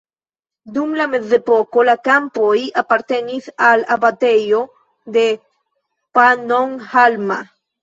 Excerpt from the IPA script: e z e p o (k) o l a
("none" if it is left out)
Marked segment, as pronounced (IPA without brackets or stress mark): k